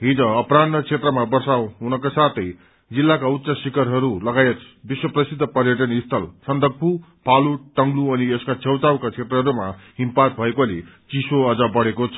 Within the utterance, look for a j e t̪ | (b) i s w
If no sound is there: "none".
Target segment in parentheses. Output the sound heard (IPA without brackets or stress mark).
b